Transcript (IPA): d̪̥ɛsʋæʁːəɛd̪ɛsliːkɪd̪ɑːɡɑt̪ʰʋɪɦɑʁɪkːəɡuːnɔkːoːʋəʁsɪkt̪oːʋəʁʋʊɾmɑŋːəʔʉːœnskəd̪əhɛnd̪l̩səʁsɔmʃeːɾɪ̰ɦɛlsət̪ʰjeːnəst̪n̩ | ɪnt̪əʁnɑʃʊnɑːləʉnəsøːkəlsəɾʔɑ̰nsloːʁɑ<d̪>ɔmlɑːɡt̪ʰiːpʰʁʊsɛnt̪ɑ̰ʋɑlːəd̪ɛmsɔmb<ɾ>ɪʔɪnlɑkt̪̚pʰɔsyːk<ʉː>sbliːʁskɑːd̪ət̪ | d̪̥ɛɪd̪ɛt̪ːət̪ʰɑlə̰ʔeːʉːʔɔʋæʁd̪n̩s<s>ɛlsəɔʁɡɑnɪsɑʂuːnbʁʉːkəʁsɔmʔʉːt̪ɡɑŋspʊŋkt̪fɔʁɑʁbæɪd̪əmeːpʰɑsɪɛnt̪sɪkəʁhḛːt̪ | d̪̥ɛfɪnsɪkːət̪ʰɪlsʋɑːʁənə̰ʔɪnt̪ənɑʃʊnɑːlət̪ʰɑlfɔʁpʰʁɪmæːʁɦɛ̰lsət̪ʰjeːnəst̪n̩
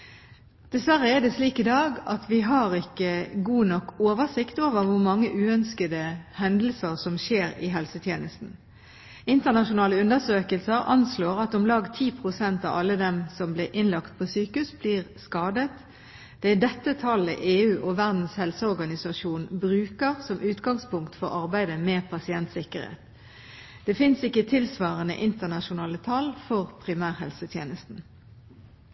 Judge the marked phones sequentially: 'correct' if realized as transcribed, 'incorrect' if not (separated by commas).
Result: incorrect, incorrect, incorrect, incorrect